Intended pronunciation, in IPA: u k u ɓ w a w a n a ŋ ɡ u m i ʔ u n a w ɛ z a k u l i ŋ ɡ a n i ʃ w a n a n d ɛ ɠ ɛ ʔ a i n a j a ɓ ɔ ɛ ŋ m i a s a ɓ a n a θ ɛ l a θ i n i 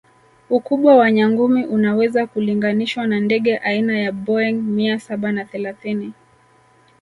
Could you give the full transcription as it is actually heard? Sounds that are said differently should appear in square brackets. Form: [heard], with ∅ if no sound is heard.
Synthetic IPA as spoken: u k u ɓ w a w a [ɲ] a ŋ ɡ u m i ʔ u n a w ɛ z a k u l i ŋ ɡ a n i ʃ w a n a n d ɛ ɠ ɛ ʔ a i n a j a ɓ ɔ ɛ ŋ m i a s a ɓ a n a θ ɛ l a θ i n i